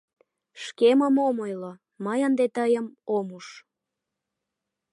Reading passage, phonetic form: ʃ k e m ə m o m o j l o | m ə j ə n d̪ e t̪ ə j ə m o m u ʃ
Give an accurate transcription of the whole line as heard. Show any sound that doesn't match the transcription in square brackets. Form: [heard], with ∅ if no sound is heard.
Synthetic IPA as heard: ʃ k e m ə m o m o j l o | m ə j ə n d̪ e t̪ ə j ə m o m u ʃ